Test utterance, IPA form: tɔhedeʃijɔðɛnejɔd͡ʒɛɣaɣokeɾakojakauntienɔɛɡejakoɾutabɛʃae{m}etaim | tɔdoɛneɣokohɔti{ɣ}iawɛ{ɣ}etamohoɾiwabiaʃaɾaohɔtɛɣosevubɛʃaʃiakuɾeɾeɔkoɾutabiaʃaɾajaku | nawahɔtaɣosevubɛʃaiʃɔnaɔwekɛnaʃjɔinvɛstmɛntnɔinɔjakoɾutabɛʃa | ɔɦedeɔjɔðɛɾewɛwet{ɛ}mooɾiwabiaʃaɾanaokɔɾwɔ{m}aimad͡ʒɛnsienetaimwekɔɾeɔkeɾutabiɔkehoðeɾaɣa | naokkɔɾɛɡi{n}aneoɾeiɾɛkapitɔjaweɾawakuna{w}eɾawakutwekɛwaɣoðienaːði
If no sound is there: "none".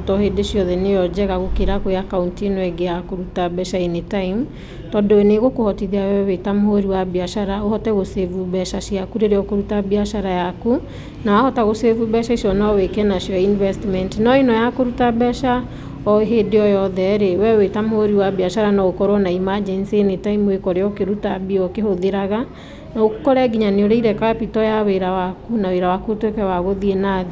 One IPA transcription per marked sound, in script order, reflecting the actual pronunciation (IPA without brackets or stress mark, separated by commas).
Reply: n, ð, w, a, n, ɲ, w